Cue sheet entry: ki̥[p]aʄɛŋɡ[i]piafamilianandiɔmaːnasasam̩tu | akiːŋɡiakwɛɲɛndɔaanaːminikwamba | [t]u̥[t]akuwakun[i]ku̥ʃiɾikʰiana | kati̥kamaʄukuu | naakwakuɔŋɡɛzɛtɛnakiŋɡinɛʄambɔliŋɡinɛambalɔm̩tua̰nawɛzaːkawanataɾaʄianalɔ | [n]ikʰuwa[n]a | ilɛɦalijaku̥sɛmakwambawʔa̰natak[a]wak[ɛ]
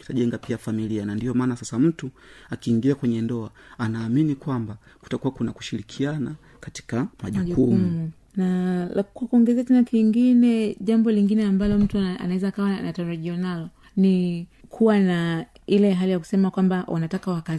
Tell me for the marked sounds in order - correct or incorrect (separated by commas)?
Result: incorrect, incorrect, incorrect, correct, incorrect, correct, correct, correct, incorrect